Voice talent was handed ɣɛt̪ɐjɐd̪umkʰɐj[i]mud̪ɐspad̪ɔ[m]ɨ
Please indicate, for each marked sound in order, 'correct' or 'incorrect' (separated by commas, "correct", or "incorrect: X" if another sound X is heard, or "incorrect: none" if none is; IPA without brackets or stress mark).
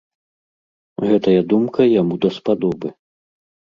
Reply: incorrect: a, incorrect: b